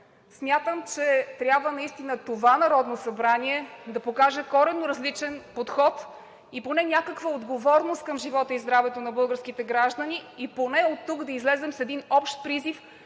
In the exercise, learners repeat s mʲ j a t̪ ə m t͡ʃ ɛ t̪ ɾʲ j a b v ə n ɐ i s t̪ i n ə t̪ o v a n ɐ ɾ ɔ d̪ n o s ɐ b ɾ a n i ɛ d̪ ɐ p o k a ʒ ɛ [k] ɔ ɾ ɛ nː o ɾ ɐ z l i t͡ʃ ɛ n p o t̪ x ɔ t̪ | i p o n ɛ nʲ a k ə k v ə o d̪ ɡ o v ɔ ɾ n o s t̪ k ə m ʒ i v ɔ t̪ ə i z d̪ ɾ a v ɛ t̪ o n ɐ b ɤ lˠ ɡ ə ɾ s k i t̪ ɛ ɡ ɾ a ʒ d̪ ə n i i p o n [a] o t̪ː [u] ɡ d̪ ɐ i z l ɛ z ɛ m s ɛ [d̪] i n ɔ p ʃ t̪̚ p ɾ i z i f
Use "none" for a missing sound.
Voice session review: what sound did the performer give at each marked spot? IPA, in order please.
k, ɛ, u, d̪

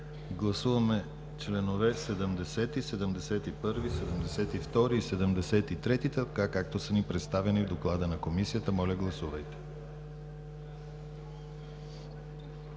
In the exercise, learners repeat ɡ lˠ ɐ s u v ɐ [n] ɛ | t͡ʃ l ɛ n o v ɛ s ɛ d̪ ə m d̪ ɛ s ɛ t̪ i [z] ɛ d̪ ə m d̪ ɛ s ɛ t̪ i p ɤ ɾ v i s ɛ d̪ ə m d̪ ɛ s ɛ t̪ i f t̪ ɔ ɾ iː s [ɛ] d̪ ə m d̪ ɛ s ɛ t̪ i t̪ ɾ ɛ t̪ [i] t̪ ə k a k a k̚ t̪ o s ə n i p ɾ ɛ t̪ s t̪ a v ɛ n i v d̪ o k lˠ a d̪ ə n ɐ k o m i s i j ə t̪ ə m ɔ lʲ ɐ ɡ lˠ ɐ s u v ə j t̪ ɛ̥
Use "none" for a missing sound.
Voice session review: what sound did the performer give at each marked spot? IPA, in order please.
m, s, ɛ, i

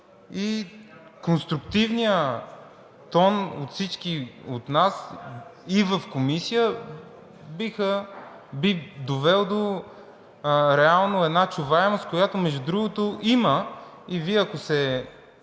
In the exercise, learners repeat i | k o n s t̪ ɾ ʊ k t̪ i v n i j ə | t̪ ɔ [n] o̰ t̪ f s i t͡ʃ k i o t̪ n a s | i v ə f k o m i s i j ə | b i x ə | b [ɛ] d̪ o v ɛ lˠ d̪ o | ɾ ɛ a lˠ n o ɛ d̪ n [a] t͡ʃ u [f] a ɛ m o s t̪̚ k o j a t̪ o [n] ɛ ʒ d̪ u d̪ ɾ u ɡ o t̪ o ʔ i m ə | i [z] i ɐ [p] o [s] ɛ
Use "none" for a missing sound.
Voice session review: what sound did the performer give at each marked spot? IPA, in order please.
n, i, a, v, m, v, k, s

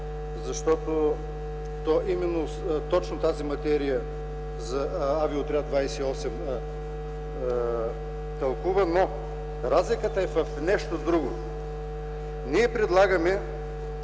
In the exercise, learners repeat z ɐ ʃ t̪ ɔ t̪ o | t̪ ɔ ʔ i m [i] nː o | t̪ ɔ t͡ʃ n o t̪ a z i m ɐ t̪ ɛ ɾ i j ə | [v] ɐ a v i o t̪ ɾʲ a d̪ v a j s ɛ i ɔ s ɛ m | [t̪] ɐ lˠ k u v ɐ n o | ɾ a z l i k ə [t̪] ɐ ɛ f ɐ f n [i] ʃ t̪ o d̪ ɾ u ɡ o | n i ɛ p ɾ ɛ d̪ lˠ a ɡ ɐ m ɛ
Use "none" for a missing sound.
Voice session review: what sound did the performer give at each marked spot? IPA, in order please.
ɛ, z, t̪, t̪, ɛ

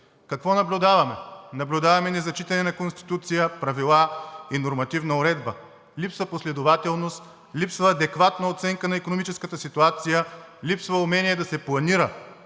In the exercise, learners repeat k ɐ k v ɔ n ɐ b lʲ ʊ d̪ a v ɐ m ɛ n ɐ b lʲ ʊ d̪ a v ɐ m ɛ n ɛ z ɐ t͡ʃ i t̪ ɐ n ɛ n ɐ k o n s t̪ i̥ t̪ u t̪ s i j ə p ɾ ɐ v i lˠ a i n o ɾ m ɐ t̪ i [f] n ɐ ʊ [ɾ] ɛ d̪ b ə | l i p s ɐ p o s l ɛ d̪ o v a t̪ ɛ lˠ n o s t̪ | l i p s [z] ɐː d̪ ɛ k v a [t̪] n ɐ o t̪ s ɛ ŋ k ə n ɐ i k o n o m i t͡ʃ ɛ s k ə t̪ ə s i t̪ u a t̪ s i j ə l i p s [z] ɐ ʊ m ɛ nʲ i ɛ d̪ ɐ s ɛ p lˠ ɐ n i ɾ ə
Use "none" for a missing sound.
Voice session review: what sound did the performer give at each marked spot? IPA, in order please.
v, ɾ, v, t̪, v

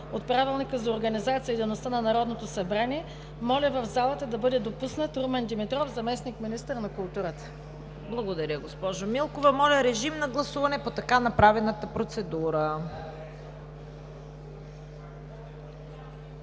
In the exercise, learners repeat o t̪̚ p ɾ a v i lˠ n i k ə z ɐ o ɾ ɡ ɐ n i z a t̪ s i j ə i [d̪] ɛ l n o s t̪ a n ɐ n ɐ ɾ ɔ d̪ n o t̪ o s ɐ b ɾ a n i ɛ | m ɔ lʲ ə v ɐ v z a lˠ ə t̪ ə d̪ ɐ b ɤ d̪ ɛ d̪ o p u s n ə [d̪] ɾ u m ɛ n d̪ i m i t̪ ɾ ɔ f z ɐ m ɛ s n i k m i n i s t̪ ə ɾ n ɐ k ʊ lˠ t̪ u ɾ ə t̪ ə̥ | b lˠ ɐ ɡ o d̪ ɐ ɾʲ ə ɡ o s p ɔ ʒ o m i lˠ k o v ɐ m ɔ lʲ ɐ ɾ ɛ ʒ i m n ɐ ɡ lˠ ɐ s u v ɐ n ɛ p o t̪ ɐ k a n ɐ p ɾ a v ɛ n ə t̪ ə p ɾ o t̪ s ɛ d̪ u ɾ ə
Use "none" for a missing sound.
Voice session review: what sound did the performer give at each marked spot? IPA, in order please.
d̪, t̪

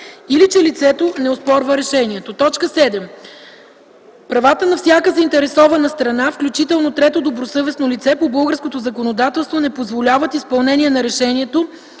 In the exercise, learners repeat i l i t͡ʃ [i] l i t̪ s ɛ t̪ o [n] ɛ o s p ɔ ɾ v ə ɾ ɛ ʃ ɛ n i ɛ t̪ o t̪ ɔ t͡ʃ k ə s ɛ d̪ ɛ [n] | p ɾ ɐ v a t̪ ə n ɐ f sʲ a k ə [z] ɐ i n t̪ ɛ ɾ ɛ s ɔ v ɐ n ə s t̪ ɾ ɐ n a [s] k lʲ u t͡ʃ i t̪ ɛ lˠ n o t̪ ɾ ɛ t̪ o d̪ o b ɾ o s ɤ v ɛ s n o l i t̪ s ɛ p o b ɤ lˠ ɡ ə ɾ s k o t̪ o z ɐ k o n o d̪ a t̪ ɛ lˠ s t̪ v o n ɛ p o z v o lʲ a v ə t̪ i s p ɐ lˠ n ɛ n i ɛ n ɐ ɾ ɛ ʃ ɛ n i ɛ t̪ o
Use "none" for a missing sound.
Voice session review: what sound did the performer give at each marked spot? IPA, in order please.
ɛ, n, m, z, f

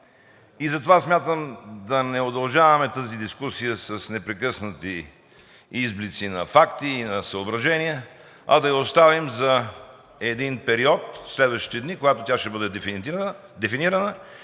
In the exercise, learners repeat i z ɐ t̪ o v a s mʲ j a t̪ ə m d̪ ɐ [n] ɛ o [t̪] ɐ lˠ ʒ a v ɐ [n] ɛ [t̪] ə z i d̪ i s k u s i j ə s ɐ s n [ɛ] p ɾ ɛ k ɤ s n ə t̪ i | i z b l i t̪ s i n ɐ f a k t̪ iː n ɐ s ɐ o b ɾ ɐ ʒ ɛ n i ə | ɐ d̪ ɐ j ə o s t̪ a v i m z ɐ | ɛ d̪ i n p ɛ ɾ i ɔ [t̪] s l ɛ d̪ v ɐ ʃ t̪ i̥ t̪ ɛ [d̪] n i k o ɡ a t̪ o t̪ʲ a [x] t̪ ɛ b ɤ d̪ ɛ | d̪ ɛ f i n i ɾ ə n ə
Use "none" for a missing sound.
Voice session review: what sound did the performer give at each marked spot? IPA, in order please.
n, d̪, m, t̪, ɛ, t̪, d̪, ʃ

